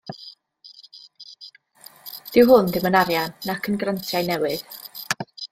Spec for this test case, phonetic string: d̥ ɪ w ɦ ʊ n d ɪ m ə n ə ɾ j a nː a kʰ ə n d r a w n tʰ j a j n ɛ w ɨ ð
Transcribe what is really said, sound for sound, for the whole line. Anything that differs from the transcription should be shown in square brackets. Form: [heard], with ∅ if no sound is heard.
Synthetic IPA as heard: d̥ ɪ w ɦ ʊ n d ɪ m ə n [a] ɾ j a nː a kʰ ə n [ɡ] r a [∅] n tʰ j a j n ɛ w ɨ ð